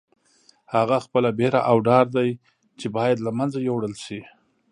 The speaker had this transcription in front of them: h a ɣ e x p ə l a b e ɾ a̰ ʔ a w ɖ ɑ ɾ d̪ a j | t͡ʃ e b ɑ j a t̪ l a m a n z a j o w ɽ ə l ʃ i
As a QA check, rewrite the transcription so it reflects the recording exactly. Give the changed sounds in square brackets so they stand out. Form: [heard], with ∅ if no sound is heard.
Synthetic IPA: h a ɣ [a] x p ə l a b e ɾ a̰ ʔ a w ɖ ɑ ɾ d̪ a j | t͡ʃ e b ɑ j a [d̪] l a m a n z a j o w ɽ ə l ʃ i